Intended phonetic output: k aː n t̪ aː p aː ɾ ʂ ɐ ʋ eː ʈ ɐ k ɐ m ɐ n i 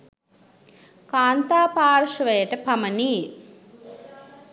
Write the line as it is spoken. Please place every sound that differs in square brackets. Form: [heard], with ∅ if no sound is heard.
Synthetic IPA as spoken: k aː n t̪ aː p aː ɾ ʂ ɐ ʋ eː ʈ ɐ [p] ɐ m ɐ n i